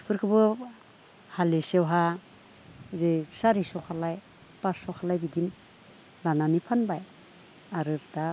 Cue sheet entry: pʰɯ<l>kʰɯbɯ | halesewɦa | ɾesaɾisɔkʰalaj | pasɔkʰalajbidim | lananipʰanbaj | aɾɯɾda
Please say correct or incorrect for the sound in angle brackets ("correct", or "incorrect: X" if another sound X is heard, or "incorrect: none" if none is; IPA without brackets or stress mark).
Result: incorrect: ɾ